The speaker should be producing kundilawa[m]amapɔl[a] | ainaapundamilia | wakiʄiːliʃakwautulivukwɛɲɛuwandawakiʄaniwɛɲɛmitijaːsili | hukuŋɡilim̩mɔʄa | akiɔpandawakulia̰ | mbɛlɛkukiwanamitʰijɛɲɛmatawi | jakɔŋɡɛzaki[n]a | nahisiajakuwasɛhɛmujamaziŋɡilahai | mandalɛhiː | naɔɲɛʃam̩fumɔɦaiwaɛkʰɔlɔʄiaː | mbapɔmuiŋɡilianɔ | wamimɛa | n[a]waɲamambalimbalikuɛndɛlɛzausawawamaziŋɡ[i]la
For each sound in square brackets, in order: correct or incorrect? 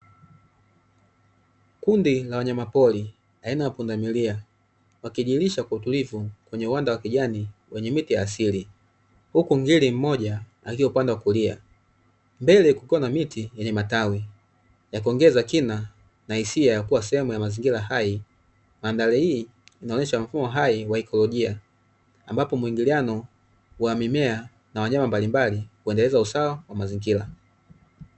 incorrect, incorrect, correct, correct, correct

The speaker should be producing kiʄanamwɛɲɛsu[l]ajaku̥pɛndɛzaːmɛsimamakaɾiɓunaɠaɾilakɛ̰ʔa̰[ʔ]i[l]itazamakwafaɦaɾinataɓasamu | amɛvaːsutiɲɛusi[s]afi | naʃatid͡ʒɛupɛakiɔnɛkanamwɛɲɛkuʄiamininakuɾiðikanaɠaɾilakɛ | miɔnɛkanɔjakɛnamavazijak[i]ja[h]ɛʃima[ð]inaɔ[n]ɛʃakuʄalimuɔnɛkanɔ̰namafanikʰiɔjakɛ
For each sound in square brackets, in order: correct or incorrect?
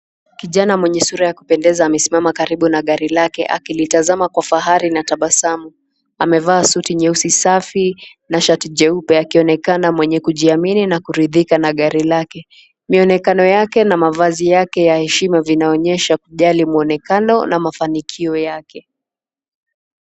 incorrect, incorrect, correct, correct, incorrect, correct, incorrect, incorrect

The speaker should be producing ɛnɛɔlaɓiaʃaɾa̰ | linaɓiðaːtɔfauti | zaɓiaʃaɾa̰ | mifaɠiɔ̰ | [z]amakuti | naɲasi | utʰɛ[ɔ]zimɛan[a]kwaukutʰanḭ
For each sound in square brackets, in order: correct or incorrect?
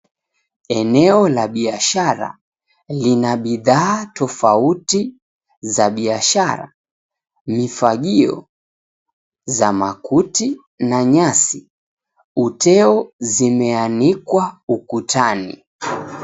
correct, correct, incorrect

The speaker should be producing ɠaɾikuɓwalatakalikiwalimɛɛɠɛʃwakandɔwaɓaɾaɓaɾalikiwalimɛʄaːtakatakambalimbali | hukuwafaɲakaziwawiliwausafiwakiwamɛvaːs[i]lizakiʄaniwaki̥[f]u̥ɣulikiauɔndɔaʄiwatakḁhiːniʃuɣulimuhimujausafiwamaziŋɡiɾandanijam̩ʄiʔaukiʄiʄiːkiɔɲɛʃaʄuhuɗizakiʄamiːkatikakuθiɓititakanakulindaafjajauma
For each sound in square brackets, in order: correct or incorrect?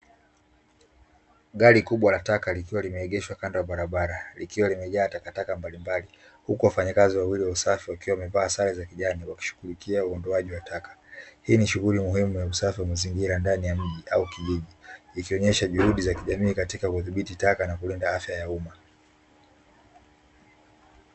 incorrect, incorrect

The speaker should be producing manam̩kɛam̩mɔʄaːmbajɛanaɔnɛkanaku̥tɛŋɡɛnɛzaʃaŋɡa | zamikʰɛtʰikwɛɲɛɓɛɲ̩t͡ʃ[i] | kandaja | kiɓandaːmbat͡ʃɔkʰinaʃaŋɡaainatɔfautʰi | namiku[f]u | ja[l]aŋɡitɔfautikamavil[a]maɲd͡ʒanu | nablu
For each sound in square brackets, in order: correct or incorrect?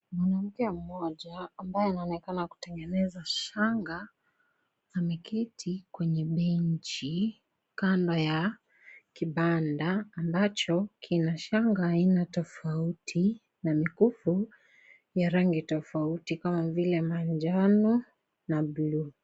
correct, correct, incorrect, incorrect

